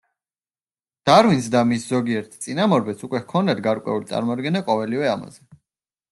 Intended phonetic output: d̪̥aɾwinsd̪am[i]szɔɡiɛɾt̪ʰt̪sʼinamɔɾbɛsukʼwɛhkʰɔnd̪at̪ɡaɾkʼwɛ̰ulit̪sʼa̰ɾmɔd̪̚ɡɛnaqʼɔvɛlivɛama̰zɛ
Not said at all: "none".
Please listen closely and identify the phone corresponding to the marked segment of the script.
i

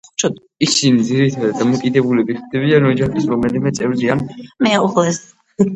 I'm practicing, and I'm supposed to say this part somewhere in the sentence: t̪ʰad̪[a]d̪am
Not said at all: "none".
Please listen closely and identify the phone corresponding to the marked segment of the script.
a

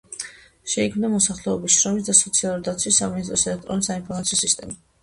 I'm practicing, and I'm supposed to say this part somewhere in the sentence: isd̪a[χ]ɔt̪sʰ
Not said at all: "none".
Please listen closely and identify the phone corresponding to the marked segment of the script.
s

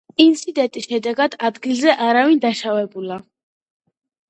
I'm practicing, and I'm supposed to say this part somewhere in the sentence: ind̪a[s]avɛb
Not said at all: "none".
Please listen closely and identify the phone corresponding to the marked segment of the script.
ʃ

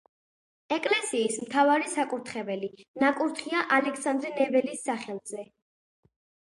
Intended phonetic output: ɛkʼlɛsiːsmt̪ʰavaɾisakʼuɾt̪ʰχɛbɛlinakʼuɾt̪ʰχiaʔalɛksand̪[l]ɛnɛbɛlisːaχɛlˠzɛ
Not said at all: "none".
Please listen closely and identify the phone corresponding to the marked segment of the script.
ɾ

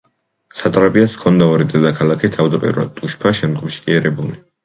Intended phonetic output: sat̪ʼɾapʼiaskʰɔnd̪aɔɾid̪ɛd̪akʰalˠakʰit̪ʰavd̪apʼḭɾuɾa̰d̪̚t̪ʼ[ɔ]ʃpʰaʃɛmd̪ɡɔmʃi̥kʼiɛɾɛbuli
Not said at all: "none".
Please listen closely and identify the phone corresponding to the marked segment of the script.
u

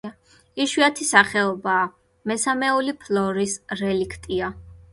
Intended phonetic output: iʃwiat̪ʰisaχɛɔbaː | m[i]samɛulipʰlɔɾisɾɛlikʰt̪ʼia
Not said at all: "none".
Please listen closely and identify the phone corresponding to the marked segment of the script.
ɛ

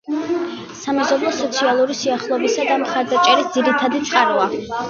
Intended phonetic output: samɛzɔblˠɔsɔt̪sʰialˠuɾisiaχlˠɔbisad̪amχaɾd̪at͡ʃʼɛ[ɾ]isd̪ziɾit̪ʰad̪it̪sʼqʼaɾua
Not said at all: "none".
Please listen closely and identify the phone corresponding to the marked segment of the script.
ɾ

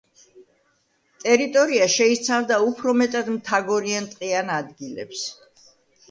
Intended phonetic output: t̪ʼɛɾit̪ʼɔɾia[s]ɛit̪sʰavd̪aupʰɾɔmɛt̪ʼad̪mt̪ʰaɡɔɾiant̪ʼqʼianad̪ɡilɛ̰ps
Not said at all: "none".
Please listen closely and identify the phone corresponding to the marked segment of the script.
ʃ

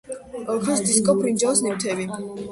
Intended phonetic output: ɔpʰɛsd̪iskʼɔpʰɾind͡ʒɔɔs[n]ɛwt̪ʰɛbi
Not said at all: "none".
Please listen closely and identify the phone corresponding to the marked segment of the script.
n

